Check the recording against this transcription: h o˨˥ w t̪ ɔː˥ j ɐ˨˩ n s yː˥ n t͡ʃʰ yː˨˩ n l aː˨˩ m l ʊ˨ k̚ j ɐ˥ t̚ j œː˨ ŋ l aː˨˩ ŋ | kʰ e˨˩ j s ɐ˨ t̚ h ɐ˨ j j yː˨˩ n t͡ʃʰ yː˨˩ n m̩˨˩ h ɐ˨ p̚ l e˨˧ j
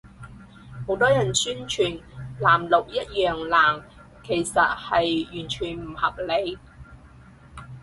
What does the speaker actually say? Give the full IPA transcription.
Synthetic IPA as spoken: h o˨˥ w t̪ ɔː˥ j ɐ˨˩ n s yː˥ n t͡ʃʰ yː˨˩ n l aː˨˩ m l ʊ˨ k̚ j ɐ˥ t̚ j œː˨ ŋ l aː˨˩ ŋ | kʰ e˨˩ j s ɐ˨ t̚ h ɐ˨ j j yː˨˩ n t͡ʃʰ yː˨˩ n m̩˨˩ h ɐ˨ p̚ l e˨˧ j